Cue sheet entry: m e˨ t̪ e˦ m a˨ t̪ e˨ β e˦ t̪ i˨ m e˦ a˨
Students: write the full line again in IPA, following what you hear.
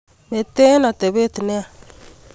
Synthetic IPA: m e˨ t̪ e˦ n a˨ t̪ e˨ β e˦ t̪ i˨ n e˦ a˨